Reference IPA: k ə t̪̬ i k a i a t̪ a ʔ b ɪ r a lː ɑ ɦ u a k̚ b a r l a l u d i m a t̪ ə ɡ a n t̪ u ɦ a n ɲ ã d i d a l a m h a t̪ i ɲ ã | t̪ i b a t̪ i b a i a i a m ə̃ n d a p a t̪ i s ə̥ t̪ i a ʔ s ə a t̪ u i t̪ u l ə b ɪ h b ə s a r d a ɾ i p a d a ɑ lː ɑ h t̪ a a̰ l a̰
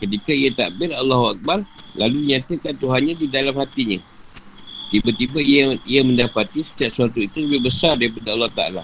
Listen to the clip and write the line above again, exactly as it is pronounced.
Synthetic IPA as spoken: k ə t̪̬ i k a i a t̪ a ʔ b ɪ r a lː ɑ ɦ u a k̚ b a r l a l u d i ɲ a t̪ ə k a n t̪ u ɦ a n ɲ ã d i d a l a m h a t̪ i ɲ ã | t̪ i b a t̪ i b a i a i a m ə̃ n d a p a t̪ i s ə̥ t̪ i a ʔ s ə a t̪ u i t̪ u l ə b ɪ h b ə s a r d a ɾ i p a d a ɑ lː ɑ h t̪ a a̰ l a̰